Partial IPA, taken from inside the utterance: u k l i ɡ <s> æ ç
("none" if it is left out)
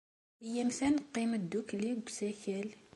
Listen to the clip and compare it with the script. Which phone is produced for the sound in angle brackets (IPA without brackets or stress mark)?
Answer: s